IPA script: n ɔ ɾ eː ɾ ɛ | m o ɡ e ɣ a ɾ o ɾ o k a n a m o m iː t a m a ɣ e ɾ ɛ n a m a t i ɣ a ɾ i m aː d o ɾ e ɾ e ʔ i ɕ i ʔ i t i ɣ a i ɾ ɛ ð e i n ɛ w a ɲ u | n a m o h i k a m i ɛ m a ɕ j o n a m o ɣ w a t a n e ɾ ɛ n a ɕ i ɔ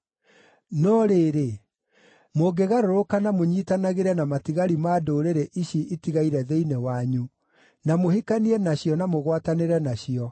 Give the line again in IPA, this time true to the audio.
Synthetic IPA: n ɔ ɾ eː ɾ e | m o ɡ e ɣ a ɾ o ɾ o k a n a m o ɲ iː t a n a ɣ e ɾ ɛ n a m a t i ɣ a ɾ i m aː d o ɾ e ɾ e ʔ i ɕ i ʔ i t i ɣ a i ɾ ɛ ð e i n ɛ w a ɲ u | n a m o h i k a n i ɛ n a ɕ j ɔ n a m o ɣ w a t a n e ɾ ɛ n a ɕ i ɔ